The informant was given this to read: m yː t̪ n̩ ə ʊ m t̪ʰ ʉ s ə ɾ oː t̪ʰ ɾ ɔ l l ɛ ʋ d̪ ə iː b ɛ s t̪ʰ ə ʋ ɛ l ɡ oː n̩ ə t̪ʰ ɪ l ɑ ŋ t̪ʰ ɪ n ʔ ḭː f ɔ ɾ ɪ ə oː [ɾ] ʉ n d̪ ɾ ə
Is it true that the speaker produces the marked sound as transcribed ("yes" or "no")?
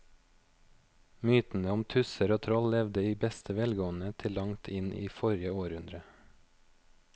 yes